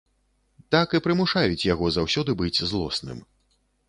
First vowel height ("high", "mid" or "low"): low